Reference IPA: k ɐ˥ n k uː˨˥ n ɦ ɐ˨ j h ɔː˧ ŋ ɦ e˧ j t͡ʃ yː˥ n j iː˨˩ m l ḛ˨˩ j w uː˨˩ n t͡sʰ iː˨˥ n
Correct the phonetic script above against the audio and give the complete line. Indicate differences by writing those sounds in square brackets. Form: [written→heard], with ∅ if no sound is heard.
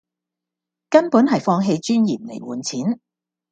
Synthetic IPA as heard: k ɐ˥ n [k→p] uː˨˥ n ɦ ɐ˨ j [h→f] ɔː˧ ŋ ɦ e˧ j t͡ʃ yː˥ n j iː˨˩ m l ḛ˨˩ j w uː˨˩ n t͡sʰ iː˨˥ n